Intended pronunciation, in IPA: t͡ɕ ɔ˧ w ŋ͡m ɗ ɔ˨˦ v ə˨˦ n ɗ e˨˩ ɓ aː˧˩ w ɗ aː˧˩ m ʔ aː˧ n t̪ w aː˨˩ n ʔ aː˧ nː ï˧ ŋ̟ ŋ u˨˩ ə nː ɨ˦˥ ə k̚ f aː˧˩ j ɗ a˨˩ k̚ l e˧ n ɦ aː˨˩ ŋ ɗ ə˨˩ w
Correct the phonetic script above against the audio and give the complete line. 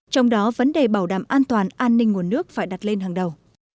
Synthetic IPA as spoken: t͡ɕ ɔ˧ w ŋ͡m ɗ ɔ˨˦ v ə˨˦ n ɗ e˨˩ ɓ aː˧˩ w ɗ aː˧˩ m ʔ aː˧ n t̪ w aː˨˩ n ʔ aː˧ nː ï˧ ŋ̟ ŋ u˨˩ ə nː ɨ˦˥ ə k̚ f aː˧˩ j ɗ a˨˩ t̚ l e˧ n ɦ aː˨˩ ŋ ɗ ə˨˩ w

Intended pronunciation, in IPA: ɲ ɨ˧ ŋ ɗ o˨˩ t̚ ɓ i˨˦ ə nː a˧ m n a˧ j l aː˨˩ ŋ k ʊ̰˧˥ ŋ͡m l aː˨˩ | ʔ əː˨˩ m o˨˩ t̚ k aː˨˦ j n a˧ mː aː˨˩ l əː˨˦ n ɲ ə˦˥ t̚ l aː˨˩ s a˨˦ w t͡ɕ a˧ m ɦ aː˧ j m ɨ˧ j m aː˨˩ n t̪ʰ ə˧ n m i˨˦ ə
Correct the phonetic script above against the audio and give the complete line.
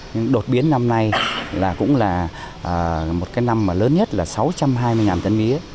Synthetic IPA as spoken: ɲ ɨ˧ ŋ ɗ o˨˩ t̚ ɓ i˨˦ ə nː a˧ m n a˧ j l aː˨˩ k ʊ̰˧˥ ŋ͡m l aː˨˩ | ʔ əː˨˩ m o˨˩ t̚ k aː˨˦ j n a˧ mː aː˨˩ l əː˨˦ n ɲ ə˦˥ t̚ l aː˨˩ s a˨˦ w t͡ɕ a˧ m ɦ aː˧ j m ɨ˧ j ŋ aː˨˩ n t̪ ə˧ n m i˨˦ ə

